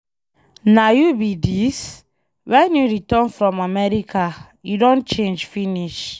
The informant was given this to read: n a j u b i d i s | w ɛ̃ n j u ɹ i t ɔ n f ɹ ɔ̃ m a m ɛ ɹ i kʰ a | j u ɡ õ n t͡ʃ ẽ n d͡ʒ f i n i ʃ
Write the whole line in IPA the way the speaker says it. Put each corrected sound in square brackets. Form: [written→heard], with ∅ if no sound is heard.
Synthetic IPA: n a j u b i d i s | w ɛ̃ n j u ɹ i t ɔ n f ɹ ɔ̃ m a m ɛ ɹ i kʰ a | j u [ɡ→d] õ n t͡ʃ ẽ n d͡ʒ f i n i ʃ